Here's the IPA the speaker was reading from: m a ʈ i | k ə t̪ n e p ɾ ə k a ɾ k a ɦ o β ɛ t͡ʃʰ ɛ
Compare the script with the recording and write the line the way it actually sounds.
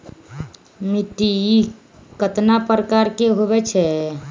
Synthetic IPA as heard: m i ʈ i | k ə t̪ n a p ɾ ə k a ɾ k e ɦ o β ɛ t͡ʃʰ ɛ